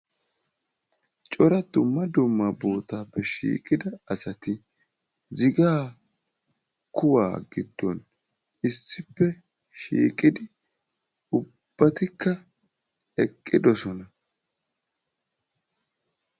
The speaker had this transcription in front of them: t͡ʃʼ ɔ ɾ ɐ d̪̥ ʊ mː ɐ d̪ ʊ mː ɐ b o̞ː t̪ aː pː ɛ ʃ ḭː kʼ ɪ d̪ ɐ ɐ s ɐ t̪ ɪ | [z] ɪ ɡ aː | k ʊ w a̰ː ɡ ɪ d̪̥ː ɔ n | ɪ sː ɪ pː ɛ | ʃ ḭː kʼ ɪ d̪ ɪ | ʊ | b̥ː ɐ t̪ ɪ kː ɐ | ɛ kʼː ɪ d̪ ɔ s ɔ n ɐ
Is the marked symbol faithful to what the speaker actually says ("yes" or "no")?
yes